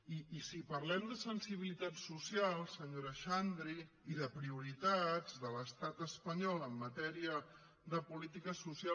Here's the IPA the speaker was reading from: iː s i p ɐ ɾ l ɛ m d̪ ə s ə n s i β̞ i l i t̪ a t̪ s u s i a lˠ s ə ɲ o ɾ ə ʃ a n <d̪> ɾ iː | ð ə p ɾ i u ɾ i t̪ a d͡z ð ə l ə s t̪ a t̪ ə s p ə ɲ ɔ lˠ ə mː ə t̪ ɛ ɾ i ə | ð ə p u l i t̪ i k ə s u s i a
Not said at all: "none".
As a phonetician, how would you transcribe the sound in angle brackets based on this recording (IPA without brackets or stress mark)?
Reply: d̪